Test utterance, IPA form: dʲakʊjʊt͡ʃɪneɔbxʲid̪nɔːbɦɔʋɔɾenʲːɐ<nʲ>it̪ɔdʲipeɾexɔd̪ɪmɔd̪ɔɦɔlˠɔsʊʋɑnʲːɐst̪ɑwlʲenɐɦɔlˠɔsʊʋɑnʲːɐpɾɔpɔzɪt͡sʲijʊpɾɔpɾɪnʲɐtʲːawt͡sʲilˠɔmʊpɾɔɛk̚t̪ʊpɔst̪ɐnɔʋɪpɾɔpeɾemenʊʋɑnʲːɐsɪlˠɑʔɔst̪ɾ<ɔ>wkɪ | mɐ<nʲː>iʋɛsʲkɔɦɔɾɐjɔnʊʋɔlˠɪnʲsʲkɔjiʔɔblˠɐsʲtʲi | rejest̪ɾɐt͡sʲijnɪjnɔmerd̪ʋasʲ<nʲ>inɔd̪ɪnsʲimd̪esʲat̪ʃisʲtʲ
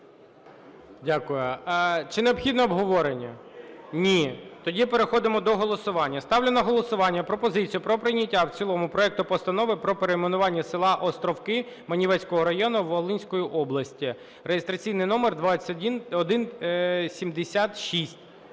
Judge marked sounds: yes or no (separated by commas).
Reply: yes, yes, no, no